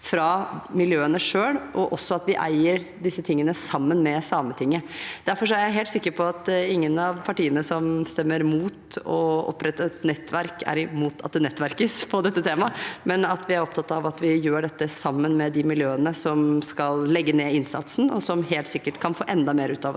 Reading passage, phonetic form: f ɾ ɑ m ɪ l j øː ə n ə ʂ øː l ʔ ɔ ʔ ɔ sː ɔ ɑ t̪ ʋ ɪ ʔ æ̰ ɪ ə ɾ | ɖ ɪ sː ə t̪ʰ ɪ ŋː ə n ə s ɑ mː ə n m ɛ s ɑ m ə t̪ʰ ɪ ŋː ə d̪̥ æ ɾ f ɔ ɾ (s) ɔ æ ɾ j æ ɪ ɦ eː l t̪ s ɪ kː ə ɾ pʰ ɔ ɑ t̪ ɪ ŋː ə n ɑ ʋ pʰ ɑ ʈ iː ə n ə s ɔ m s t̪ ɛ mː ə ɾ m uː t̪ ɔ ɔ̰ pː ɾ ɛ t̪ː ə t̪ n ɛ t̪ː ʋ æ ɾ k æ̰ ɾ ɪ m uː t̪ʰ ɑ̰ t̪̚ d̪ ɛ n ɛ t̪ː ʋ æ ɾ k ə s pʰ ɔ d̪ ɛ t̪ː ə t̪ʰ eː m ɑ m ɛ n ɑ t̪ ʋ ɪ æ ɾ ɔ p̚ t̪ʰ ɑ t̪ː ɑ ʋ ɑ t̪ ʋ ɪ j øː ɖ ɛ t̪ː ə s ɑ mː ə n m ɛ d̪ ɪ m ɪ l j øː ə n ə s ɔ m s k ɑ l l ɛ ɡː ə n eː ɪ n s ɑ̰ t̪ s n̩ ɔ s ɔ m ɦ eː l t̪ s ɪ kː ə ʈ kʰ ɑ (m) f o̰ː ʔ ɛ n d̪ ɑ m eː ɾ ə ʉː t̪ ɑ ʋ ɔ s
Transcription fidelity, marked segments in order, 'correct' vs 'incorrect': incorrect: ʂ, incorrect: n

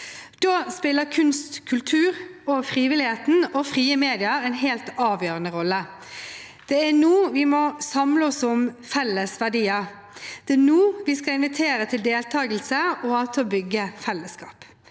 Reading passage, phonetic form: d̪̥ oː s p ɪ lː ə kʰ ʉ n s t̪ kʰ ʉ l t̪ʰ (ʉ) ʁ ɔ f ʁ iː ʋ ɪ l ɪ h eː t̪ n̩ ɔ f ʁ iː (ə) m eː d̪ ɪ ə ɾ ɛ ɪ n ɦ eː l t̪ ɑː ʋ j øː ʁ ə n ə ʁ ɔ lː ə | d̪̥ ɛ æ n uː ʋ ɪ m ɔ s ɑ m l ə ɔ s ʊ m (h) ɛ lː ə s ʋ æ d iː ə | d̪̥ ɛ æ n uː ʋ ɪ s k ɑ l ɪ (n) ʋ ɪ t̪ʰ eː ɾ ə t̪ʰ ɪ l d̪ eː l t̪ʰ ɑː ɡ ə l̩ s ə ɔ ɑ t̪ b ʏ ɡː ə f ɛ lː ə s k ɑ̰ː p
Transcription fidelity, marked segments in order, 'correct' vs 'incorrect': incorrect: ʉː, correct, incorrect: f, correct

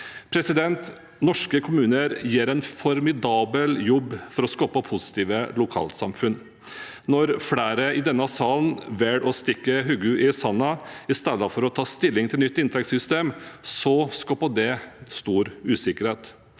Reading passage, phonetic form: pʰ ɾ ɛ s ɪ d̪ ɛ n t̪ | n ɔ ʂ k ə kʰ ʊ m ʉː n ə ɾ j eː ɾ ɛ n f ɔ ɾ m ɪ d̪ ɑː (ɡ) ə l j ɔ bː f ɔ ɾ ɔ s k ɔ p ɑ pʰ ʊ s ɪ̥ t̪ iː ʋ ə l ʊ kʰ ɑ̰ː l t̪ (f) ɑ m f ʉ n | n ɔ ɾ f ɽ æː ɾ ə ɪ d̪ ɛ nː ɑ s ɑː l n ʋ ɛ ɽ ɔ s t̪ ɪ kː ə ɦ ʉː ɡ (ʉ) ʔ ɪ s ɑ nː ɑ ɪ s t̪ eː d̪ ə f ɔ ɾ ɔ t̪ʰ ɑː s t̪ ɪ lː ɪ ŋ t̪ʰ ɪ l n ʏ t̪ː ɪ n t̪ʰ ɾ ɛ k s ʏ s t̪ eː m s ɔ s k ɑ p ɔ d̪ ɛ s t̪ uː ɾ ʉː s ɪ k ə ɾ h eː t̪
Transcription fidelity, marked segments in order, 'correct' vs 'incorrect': incorrect: b, incorrect: s, correct

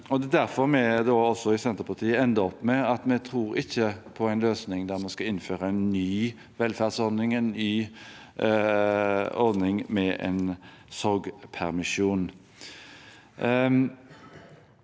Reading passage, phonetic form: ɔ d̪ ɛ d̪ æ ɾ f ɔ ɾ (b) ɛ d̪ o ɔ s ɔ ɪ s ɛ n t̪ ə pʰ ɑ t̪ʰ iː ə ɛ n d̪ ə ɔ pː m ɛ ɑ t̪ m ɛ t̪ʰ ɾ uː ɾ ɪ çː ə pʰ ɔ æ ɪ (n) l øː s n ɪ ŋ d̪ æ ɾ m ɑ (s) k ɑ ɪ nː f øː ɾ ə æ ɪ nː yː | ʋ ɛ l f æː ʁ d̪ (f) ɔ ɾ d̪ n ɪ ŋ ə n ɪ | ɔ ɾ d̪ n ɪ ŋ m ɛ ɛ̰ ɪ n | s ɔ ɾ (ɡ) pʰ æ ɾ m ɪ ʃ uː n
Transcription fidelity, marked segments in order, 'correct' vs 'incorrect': incorrect: m, correct, correct, incorrect: s, correct

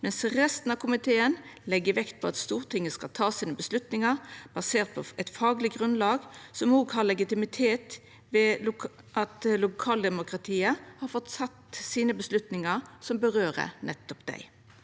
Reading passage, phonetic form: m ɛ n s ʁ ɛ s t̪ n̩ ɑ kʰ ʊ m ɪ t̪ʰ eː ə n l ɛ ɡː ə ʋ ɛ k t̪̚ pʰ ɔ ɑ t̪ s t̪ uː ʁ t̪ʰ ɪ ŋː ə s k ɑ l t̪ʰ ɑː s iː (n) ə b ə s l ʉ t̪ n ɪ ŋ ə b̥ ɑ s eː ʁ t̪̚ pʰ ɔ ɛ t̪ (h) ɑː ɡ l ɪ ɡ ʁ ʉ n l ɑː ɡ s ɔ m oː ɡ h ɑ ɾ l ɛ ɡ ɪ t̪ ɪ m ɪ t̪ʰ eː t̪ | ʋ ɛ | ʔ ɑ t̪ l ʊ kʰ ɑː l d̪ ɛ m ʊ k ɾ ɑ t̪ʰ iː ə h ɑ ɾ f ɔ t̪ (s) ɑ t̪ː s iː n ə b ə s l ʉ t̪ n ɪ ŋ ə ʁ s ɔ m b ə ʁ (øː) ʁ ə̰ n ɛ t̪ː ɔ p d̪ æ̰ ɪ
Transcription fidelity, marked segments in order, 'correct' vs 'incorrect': correct, incorrect: f, correct, correct

